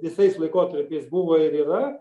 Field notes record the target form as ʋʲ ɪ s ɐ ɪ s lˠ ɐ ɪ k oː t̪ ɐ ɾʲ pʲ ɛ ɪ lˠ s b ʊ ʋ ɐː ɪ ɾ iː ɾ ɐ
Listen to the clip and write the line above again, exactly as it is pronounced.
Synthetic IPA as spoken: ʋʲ ɪ s ɐ ɪ s lˠ ɐ ɪ k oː t̪ ɐ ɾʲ pʲ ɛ ɪ s b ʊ ʋ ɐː ɪ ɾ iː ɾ ɐ